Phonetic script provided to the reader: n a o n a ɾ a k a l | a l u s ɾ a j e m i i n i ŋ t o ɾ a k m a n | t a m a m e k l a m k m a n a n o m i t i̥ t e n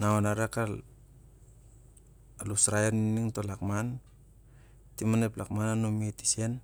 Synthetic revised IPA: n a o n a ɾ a k a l | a l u s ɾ a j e n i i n i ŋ t o l a k m a n | t i m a n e p l a k m a n a n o m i t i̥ s e n

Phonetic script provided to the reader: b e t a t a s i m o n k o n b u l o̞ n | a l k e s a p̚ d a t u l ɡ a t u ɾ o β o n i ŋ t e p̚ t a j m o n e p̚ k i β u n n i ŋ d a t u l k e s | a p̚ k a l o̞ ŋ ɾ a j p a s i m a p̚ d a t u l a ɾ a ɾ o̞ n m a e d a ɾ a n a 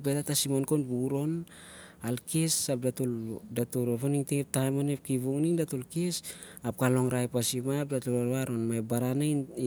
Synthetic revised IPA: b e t a t a s i m o n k o n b u ɾ o̞ n | a l k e s a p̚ d a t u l d a t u ɾ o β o n i ŋ t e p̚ t a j m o n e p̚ k i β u ŋ n i ŋ d a t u l k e s | a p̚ k a l o̞ ŋ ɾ a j p a s i m a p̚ d a t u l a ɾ a ɾ o̞ n m a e b a ɾ a n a

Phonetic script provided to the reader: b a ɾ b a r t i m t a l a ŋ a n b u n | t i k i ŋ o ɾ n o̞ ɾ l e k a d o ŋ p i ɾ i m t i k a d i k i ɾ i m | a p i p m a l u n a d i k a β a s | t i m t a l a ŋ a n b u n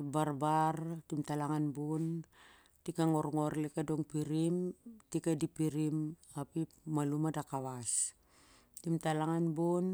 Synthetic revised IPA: b a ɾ b a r t i m t a l a ŋ a n b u n | t i k a ŋ o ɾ ŋ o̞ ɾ l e k a d o ŋ p i ɾ i m t i k a d i p i ɾ i m | a p i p m a l u m a d a k a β a s | t i m t a l a ŋ a n b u n

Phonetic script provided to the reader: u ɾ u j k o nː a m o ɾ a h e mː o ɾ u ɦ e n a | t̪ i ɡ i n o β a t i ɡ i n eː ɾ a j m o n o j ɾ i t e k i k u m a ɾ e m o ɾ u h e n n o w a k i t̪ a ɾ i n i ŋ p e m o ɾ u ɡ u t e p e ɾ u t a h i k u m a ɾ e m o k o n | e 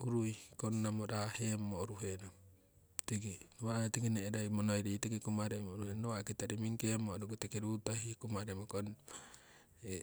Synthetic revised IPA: u ɾ u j k o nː a m o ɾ a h e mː o ɾ u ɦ e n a | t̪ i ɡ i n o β a t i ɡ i n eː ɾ a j m o n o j ɾ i t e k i k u m a ɾ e m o ɾ u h e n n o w a k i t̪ a ɾ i m i ŋ k e m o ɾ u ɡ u t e k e ɾ u t a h i k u m a ɾ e m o k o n | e

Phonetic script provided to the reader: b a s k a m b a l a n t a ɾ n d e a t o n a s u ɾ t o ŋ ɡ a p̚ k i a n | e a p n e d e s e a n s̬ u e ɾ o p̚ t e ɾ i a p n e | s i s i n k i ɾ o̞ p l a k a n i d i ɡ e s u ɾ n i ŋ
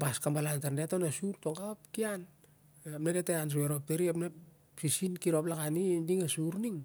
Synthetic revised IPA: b a s k a m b a l a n t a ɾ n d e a t o n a s u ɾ t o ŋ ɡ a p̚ k i a n | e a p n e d e t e a n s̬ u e ɾ o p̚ t e ɾ i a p n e | s i s i n k i ɾ o̞ p l a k a n i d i ŋ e s u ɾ n i ŋ

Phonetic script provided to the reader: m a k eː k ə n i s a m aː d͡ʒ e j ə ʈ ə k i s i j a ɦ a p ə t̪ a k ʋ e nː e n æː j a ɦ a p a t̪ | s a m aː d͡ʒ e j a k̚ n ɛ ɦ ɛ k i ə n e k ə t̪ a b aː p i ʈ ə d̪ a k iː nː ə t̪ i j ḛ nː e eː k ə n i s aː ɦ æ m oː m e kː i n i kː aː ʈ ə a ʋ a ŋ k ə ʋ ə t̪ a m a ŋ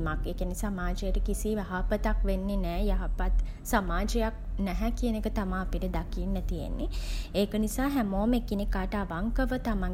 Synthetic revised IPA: m a k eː k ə n i s a m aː d͡ʒ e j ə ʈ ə k i s i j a ɦ a p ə t̪ a k ʋ e nː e n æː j a ɦ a p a t̪ | s a m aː d͡ʒ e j a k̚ n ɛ ɦ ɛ k i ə n e k ə t̪ a m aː p i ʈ ə d̪ a k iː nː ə t̪ i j ḛ nː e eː k ə n i s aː ɦ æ m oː m e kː i n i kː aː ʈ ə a ʋ a ŋ k ə ʋ ə t̪ a m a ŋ

